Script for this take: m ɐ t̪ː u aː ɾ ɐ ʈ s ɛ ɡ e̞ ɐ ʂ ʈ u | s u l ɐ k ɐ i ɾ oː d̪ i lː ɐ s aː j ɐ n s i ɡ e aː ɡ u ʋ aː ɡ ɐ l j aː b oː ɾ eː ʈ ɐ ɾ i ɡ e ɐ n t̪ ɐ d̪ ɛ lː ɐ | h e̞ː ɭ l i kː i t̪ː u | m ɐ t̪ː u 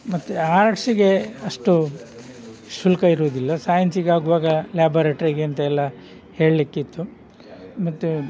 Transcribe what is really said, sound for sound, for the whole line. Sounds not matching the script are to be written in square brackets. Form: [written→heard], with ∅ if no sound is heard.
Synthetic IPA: m ɐ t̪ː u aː ɾ ɐ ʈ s [ɛ→i] ɡ e̞ ɐ ʂ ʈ u | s u l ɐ k ɐ i ɾ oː d̪ i lː ɐ s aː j ɐ n s i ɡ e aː ɡ u ʋ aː ɡ ɐ l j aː b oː ɾ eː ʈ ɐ ɾ i ɡ e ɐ n t̪ ɐ [d̪→∅] ɛ lː ɐ | h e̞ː ɭ l i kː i t̪ː u | m ɐ t̪ː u